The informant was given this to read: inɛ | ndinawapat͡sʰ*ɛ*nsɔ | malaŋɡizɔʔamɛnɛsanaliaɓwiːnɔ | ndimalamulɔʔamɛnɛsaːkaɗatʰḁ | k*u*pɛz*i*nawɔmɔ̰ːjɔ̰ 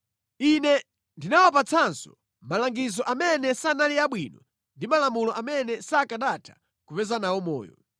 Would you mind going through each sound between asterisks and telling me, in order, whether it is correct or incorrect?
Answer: incorrect, correct, incorrect

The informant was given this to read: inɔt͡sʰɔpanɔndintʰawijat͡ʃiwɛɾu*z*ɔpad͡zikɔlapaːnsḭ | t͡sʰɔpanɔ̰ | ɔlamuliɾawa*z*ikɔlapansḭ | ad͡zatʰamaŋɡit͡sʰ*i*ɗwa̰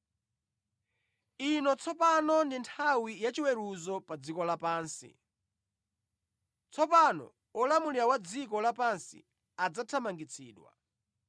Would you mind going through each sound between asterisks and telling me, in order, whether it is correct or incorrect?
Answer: correct, incorrect, incorrect

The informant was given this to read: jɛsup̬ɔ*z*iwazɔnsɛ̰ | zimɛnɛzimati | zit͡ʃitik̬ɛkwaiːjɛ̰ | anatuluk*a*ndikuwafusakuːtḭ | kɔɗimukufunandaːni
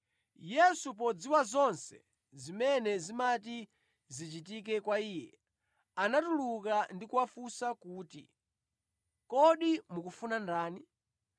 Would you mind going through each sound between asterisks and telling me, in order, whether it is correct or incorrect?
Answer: incorrect, correct

